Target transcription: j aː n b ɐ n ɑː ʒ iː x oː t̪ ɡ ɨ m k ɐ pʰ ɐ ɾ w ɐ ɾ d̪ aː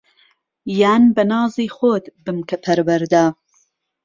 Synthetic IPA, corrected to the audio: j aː n b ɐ n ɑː z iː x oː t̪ b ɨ m k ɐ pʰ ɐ ɾ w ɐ ɾ d̪ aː